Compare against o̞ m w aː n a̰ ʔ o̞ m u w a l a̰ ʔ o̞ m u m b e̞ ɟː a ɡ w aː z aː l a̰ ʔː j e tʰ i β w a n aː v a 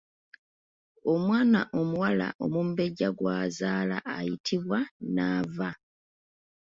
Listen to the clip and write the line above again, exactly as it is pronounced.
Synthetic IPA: o̞ m w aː n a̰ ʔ o̞ m u w a l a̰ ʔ o̞ m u m b e̞ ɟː a ɡ w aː z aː l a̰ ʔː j i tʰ i β w a n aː v a